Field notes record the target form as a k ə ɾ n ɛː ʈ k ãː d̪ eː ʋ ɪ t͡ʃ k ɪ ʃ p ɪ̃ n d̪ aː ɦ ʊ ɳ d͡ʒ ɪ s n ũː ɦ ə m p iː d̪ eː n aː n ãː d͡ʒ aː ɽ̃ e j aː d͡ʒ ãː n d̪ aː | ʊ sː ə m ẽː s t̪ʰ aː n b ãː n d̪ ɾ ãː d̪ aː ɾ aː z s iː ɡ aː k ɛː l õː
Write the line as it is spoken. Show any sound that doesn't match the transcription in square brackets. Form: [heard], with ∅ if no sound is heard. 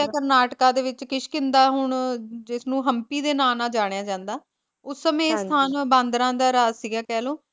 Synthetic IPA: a k ə ɾ n [aː] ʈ k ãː d̪ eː ʋ ɪ t͡ʃ k ɪ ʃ [k] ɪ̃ n d̪ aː ɦ ʊ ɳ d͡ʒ ɪ s n ũː ɦ ə m p iː d̪ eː n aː n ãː d͡ʒ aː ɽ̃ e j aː d͡ʒ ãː n d̪ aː | ʊ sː ə m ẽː s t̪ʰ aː n b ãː n d̪ ɾ ãː d̪ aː ɾ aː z s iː ɡ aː k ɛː l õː